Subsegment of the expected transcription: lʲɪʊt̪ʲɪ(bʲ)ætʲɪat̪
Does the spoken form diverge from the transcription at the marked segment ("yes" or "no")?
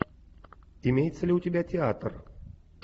no